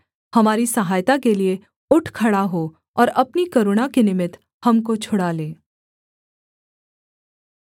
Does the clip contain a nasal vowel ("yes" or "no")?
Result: no